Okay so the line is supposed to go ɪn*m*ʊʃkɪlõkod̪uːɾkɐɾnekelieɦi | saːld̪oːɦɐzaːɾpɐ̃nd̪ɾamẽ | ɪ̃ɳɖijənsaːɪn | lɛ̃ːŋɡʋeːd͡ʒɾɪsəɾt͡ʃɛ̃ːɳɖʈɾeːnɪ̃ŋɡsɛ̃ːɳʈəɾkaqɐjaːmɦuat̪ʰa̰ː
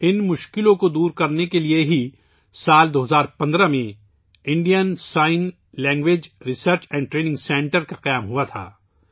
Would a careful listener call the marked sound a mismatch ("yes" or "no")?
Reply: no